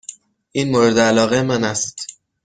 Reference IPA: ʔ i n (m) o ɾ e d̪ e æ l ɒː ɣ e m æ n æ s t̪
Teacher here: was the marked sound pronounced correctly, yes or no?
yes